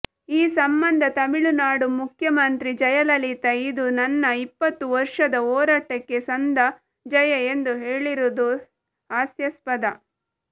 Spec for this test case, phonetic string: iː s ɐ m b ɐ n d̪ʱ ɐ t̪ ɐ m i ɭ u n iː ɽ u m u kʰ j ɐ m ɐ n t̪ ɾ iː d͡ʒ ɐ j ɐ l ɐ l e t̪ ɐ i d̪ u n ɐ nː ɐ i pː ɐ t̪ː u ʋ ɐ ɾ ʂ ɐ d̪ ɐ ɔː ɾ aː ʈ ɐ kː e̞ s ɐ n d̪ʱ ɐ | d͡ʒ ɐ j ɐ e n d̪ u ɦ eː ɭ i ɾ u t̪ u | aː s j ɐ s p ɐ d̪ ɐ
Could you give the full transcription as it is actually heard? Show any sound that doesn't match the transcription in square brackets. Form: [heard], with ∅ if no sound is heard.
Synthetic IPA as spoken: iː s ɐ m b ɐ n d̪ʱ ɐ t̪ ɐ m i ɭ u n [aː] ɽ u m u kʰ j ɐ m ɐ n t̪ ɾ [i] d͡ʒ ɐ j ɐ l ɐ l [i] t̪ ɐ i d̪ u n ɐ nː ɐ i pː ɐ t̪ː u ʋ ɐ ɾ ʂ ɐ d̪ ɐ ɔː ɾ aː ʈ ɐ kː e̞ s ɐ n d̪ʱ ɐ | d͡ʒ ɐ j ɐ e n d̪ u ɦ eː ɭ i ɾ u [d̪] u | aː s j ɐ s p ɐ d̪ ɐ